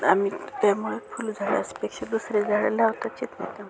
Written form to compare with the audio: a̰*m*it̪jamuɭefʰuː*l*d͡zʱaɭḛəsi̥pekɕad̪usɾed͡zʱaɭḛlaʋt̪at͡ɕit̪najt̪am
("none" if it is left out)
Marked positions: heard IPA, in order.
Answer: m, l

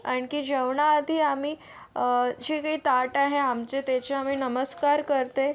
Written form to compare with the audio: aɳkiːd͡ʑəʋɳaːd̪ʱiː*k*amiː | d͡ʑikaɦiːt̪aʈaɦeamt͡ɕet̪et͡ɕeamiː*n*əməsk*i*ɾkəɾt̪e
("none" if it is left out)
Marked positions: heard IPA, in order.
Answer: none, n, a

